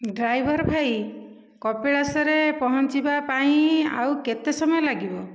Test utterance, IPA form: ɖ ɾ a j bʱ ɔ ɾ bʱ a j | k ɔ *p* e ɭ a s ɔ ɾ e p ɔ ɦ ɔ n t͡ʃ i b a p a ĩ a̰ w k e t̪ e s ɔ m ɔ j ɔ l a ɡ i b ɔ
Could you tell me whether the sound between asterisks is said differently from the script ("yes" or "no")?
no